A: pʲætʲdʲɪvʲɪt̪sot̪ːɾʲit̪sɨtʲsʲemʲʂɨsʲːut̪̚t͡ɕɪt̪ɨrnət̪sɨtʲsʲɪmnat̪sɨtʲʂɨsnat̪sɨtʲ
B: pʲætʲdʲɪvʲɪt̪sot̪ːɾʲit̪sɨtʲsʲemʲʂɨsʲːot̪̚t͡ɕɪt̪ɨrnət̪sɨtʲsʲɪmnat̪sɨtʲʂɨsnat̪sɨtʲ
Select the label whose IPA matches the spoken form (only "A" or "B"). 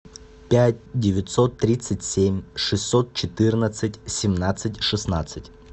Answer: B